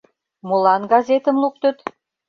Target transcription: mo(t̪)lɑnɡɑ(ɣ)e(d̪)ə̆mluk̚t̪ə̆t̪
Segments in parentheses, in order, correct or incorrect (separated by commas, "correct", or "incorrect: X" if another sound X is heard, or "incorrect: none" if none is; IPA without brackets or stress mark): incorrect: none, incorrect: z, incorrect: t̪